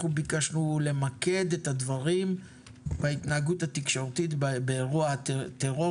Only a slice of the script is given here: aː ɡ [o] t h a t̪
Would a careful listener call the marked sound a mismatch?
yes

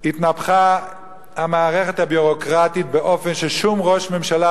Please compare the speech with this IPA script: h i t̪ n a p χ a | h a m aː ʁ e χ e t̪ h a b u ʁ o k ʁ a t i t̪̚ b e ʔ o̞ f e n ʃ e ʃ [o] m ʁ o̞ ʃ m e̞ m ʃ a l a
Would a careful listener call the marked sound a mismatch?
yes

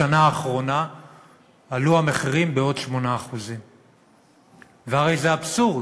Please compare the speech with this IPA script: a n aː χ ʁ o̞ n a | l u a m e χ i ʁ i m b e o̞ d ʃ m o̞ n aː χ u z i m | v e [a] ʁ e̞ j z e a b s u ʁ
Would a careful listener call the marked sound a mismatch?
no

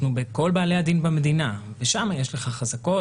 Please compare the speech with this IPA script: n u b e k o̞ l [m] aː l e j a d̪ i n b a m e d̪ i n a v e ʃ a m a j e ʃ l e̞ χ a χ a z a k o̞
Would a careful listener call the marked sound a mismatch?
yes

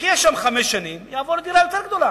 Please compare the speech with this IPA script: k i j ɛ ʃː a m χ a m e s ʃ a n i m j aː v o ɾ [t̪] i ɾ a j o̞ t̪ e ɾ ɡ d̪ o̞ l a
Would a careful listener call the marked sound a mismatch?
yes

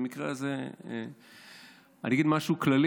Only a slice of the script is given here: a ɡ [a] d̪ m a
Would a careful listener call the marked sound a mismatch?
yes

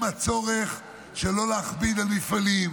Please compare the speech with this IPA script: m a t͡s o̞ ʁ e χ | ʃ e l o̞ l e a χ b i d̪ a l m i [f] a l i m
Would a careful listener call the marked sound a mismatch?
no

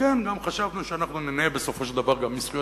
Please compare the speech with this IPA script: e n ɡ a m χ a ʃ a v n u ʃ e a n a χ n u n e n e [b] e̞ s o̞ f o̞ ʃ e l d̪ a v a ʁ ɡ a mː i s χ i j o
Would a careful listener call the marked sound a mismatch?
no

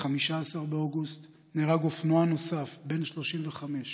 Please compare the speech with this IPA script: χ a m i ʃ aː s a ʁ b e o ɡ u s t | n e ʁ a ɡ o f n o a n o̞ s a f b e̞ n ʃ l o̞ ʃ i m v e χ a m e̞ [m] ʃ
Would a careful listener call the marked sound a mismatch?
yes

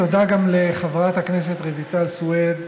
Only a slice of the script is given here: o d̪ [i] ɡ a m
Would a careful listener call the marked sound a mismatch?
yes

